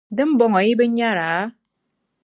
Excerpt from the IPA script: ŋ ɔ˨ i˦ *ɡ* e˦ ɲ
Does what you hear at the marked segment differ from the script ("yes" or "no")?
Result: yes